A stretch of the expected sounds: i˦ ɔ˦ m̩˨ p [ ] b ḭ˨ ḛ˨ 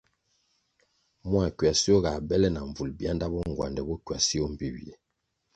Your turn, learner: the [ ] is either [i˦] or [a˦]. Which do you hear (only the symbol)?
i˦